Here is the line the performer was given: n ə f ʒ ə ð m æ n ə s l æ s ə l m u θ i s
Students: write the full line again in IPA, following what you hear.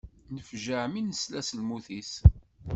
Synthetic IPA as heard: n ə f ʒ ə ʕ m i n ə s l æ s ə l m u θ i s